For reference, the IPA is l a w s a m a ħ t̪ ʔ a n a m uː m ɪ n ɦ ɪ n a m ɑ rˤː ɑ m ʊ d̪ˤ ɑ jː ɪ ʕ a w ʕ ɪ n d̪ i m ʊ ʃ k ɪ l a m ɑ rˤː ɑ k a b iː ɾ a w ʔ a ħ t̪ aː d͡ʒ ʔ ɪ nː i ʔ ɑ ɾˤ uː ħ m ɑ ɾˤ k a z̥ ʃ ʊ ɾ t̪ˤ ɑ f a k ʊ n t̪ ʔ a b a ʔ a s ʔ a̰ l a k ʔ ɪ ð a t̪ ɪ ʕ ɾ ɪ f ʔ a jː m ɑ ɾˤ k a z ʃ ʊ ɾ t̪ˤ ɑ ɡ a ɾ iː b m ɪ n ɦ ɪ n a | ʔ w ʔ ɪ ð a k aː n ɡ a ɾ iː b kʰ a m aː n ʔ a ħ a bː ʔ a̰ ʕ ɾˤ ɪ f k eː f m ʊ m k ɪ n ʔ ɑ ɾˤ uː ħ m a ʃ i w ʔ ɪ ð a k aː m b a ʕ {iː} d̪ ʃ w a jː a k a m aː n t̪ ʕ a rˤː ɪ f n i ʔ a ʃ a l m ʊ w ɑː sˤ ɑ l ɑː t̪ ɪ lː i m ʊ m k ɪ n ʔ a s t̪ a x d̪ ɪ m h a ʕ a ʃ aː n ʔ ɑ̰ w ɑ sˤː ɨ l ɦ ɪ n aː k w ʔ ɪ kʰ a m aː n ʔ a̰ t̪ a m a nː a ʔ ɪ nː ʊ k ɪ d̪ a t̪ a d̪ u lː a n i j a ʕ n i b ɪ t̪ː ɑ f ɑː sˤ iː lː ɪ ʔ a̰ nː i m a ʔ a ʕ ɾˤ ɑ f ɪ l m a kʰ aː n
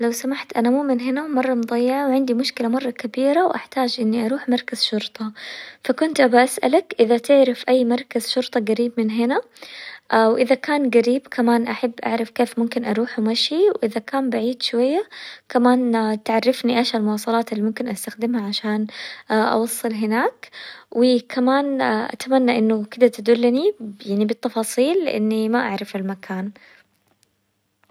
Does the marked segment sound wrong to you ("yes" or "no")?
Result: no